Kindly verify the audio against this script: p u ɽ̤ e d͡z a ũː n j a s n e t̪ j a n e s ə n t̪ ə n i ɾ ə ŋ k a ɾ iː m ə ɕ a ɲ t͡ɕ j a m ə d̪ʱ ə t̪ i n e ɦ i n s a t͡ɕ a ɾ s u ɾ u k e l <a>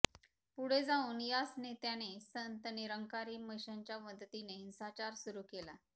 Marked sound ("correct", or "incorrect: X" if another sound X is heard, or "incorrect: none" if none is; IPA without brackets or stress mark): correct